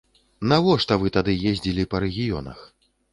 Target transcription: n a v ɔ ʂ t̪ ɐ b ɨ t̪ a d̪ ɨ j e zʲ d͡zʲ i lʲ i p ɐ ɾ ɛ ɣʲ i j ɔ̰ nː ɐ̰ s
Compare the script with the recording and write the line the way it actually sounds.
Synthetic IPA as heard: n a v ɔ ʂ t̪ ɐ v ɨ t̪ a d̪ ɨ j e zʲ d͡zʲ i lʲ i p ɐ ɾ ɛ ɣʲ i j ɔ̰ n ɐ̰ x